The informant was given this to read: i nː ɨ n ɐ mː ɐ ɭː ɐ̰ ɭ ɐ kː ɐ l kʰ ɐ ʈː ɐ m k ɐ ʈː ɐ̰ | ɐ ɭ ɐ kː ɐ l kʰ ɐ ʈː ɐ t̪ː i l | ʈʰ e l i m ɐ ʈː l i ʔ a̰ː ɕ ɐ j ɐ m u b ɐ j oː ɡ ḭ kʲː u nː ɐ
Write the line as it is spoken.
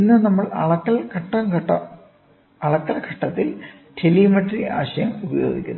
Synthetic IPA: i nː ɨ n ɐ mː ɐ ɭ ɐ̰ ɭ ɐ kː ɐ l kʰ ɐ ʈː ɐ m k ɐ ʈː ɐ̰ | ɐ ɭ ɐ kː ɐ l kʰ ɐ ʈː ɐ t̪ː i l | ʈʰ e l i m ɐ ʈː r i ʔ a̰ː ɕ ɐ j ɐ m u b ɐ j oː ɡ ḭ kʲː u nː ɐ